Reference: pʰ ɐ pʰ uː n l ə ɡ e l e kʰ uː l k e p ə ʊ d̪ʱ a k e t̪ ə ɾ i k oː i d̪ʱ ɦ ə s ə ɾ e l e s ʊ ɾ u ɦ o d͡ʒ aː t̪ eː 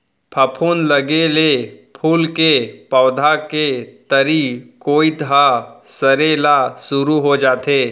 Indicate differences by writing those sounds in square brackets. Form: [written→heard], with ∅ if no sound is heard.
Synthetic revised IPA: pʰ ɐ pʰ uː n l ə ɡ e l e [kʰ→pʰ] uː l k e p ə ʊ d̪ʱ a k e t̪ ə ɾ i k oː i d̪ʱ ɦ [ə→a] s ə ɾ e l [e→a] s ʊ ɾ u ɦ o d͡ʒ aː t̪ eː